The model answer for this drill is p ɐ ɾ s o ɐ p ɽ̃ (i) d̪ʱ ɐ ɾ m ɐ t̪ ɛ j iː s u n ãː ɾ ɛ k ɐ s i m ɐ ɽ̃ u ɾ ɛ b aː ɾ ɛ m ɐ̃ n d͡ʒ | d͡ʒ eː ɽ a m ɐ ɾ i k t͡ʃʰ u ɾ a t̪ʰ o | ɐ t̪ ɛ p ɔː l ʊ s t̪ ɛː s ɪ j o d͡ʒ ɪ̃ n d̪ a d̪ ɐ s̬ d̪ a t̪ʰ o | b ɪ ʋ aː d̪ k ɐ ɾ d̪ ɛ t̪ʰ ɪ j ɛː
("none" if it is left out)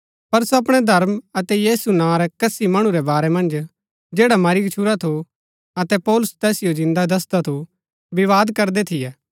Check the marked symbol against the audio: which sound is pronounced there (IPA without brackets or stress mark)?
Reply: ɛ